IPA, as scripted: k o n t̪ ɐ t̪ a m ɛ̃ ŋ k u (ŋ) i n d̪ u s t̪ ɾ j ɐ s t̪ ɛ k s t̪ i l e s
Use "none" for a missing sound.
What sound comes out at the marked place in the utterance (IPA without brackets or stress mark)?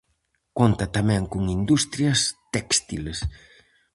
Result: ŋ